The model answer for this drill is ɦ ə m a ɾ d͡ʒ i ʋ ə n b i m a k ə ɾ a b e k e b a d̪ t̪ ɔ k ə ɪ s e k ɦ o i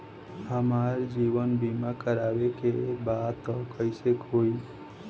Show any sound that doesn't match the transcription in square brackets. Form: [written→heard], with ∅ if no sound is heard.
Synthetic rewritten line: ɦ ə m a ɾ d͡ʒ i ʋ ə n b i m a k ə ɾ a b e k e b a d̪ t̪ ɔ k ə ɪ s e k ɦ o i

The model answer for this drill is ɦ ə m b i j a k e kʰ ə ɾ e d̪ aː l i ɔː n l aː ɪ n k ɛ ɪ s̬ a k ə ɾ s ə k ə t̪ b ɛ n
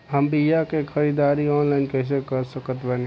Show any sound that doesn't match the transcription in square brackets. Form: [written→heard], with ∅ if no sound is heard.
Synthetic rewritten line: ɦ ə m b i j a k e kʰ ə ɾ [e→i] d̪ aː [l→ɾ] i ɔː n l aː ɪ n k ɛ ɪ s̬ [a→e] k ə ɾ s ə k ə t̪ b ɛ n

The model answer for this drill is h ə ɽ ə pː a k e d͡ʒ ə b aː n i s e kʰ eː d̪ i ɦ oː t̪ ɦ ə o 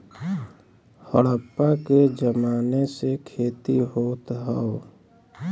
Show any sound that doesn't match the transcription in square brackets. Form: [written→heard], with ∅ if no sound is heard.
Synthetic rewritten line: h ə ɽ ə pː a k e d͡ʒ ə [b→m] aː n [i→e] s e kʰ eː [d̪→t̪] i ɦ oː t̪ ɦ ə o

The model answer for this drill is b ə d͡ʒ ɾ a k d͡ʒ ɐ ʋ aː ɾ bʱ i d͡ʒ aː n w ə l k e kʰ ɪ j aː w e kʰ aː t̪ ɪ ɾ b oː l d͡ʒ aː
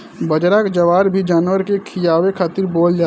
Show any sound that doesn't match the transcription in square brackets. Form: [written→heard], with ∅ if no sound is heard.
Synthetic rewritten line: b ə d͡ʒ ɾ a k d͡ʒ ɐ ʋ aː ɾ bʱ i d͡ʒ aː n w ə [l→ɾ] k e kʰ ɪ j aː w e kʰ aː t̪ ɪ ɾ b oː l d͡ʒ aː

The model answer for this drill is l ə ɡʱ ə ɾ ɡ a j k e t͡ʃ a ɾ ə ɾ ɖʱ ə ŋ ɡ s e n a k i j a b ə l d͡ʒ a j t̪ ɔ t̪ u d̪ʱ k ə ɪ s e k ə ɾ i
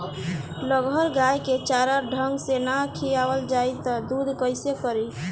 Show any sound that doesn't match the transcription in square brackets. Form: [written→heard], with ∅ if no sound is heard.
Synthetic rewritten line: l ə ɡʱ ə ɾ ɡ a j k e t͡ʃ a ɾ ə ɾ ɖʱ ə ŋ ɡ s e n a [k→kʰ] i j a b ə l d͡ʒ a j t̪ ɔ [t̪→d̪] u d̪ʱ k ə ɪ s e k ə ɾ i

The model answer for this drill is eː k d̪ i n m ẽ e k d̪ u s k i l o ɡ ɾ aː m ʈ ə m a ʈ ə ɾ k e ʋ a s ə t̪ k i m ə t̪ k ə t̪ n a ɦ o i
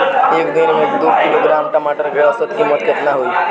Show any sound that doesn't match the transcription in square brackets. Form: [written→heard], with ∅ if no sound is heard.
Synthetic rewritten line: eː k d̪ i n m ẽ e k d̪ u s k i l o ɡ ɾ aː m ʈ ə m a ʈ ə ɾ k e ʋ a s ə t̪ k i m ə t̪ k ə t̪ n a ɦ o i

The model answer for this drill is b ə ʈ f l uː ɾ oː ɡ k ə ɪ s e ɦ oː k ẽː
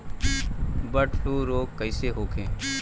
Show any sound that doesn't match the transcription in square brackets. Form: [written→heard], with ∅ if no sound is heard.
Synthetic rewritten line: b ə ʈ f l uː ɾ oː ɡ k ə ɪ s e ɦ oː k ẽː

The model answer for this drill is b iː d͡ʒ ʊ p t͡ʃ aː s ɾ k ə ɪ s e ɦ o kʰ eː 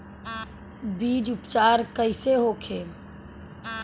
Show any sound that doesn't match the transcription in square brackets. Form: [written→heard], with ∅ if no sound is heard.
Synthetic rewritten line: b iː d͡ʒ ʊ p t͡ʃ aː [s→∅] ɾ k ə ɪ s e ɦ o kʰ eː

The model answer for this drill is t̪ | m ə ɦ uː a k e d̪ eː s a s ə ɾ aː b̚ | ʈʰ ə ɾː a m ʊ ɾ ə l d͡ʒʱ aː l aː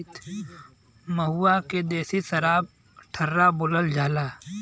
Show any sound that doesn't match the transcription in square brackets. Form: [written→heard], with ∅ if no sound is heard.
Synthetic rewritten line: t̪ | m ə ɦ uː a k e d̪ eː s [a→i] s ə ɾ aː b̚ | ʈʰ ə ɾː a [m→b] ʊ [ɾ→l] ə l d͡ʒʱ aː l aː

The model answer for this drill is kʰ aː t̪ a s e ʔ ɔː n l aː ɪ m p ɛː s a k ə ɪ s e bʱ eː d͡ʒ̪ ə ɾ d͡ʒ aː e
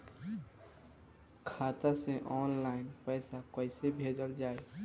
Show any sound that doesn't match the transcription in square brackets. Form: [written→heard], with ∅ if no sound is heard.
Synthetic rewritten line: kʰ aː t̪ a s e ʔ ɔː n l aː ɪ [m→n] p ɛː s a k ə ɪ s e bʱ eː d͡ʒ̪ ə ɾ d͡ʒ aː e

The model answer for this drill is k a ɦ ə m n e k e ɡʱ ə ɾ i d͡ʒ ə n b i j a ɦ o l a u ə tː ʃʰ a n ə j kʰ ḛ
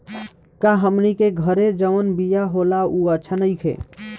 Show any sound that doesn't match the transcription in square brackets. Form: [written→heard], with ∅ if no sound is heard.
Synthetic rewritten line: k a ɦ ə m n [e→i] k e ɡʱ ə ɾ [i→e] d͡ʒ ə n b i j a ɦ o l a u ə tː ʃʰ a n ə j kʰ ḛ

